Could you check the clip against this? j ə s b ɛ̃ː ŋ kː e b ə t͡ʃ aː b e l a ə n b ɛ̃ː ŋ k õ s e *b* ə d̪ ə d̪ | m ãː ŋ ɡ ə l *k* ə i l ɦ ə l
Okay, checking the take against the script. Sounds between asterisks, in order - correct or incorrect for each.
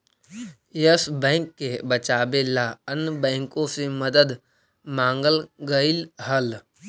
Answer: incorrect: m, incorrect: ɡ

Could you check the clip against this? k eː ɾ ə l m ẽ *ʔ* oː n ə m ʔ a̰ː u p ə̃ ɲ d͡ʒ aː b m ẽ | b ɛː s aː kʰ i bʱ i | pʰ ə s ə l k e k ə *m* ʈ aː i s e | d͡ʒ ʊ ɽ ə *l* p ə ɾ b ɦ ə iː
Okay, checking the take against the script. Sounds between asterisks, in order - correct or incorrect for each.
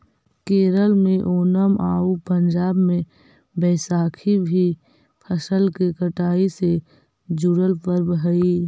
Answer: correct, incorrect: none, correct

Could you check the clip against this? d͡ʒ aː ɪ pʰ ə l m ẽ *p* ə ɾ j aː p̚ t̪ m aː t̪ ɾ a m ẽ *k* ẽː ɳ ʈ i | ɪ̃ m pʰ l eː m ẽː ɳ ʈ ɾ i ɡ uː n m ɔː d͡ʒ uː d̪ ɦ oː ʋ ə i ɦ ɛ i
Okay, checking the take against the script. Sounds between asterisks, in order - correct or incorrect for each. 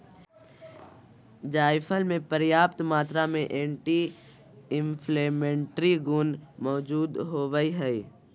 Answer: correct, incorrect: ʔ

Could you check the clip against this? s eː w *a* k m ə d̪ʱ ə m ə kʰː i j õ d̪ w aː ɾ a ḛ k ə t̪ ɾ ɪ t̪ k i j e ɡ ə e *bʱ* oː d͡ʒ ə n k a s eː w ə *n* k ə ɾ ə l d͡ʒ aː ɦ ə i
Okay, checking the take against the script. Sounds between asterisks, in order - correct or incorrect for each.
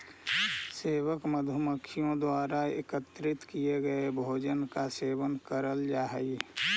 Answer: incorrect: ə, correct, correct

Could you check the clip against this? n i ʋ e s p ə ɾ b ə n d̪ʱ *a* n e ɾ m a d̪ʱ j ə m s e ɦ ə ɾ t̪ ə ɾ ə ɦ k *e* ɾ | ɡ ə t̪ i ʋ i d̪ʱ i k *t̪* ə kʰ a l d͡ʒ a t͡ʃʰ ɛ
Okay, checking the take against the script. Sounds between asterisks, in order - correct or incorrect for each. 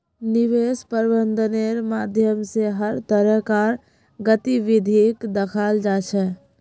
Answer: incorrect: ə, incorrect: a, incorrect: d̪

